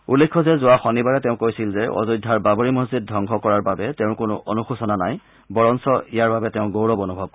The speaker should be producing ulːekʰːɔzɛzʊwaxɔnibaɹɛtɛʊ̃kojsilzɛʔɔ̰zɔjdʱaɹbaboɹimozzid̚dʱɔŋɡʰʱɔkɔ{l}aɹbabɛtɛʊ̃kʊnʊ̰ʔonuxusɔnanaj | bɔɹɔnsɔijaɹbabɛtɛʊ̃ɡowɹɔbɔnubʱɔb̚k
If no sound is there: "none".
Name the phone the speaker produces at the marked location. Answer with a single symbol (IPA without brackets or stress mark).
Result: ɹ